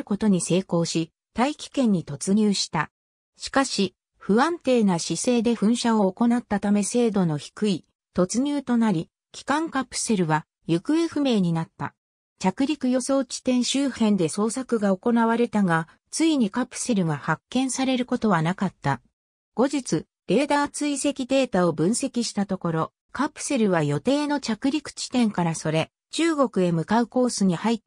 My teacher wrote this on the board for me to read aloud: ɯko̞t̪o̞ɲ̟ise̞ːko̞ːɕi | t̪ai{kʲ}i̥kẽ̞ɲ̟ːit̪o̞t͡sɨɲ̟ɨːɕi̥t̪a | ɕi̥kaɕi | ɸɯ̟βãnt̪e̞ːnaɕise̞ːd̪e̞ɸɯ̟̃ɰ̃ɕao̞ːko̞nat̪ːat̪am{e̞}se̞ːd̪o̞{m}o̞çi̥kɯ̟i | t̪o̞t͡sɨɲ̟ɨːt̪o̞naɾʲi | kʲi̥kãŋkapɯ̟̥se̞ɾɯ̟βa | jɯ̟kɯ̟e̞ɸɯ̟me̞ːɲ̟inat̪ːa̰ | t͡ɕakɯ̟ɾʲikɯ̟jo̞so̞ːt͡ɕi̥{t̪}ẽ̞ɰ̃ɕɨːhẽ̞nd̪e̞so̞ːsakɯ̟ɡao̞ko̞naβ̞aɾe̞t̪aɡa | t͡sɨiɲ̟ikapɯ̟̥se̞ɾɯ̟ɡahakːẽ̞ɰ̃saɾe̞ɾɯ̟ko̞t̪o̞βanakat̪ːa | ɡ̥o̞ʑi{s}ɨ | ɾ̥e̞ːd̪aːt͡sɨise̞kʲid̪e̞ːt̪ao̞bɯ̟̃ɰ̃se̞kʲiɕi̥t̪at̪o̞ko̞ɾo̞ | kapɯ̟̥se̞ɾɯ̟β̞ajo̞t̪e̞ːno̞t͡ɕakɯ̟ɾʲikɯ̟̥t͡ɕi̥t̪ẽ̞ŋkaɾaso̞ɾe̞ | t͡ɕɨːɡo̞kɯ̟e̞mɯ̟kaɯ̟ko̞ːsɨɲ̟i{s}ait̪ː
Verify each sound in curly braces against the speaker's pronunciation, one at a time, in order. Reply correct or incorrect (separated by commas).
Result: correct, correct, incorrect, correct, incorrect, incorrect